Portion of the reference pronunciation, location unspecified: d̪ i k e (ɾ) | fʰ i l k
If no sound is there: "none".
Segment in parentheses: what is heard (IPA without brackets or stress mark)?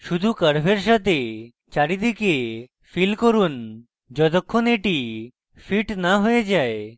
none